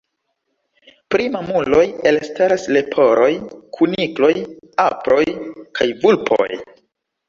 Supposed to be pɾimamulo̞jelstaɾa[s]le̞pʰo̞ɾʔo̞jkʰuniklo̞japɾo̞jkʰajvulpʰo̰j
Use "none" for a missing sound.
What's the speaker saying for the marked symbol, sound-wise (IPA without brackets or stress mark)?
s